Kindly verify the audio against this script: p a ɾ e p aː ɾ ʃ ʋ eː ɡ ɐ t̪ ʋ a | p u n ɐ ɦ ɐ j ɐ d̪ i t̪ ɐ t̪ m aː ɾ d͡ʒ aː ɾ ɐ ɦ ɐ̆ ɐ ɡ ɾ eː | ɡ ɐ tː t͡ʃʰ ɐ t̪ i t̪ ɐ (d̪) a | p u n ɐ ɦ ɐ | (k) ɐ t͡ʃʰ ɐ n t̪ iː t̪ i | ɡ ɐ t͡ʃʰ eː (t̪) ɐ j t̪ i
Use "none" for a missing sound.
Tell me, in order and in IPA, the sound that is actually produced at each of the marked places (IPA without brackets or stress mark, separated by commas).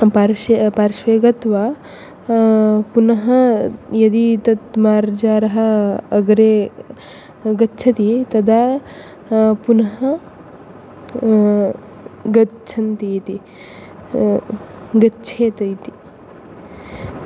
d̪, ɡ, t̪